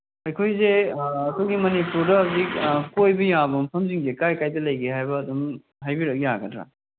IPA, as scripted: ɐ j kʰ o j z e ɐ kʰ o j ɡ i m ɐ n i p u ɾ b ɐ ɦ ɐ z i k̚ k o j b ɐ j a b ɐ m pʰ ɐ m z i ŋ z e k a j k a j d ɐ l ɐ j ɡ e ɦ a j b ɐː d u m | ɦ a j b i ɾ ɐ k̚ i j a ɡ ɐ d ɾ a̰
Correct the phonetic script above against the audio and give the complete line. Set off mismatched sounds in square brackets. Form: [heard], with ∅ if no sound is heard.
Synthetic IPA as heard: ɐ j kʰ o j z e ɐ kʰ o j ɡ i m ɐ n i p u ɾ [d] ɐ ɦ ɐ z i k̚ k o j b ɐ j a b ɐ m pʰ ɐ m z i ŋ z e k a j k a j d ɐ l ɐ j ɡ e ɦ a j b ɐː d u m | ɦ a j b i ɾ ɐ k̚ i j a ɡ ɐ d ɾ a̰